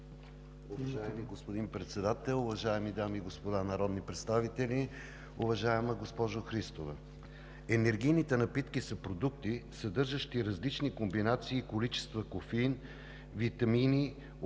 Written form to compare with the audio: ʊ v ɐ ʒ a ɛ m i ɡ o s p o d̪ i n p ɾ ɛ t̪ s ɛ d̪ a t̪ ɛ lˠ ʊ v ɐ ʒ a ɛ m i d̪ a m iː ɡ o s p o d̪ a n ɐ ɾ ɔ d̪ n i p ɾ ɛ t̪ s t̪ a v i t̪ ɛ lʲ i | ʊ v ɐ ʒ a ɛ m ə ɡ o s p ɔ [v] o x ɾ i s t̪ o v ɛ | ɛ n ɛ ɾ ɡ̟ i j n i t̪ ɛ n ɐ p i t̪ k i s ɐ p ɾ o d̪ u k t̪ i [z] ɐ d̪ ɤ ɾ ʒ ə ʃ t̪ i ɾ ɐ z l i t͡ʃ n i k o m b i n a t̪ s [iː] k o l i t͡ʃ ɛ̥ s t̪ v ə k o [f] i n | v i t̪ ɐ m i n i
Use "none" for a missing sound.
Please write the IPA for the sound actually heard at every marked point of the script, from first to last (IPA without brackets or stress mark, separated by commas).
ʒ, s, iː, f